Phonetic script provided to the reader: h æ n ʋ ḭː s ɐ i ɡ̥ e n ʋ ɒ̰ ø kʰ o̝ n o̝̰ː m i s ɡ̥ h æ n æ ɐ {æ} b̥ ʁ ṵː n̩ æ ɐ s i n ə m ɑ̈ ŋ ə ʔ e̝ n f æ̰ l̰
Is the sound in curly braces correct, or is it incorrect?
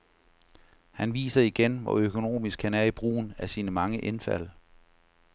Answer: incorrect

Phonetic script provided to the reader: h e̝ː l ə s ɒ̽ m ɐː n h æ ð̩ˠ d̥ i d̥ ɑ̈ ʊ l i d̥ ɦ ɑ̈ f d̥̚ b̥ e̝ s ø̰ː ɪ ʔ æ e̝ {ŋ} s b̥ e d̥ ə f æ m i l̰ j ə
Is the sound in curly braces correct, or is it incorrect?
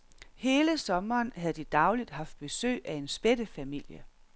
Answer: incorrect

